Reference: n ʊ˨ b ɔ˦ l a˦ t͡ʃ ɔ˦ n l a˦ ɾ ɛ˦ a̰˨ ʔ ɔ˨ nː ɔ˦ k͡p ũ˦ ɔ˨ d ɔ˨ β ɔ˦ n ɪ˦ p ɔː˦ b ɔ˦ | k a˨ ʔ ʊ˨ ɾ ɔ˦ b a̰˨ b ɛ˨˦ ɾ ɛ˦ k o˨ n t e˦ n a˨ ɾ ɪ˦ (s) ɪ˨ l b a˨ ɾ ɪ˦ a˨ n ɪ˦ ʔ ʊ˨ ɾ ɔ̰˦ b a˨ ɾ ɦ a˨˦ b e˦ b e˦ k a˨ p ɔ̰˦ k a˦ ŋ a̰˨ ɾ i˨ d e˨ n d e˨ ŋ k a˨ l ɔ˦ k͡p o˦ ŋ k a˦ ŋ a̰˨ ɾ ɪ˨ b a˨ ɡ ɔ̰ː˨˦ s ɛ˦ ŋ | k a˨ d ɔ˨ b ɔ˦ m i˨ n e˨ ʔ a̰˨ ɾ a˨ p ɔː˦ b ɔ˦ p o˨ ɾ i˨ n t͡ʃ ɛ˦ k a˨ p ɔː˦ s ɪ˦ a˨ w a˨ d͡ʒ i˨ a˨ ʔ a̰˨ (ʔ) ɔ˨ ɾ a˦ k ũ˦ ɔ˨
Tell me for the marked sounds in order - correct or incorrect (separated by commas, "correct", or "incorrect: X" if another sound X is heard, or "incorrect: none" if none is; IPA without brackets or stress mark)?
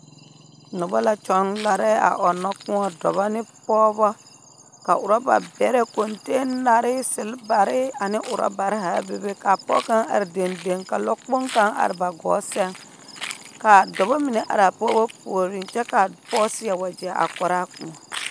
correct, incorrect: k